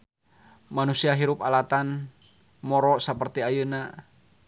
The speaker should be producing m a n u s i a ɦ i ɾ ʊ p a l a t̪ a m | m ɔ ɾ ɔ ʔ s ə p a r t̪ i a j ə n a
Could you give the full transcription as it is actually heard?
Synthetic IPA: m a n u s i a ɦ i ɾ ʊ p a l a t̪ a n | m ɔ ɾ ɔ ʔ s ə p ə r t̪ i a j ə n a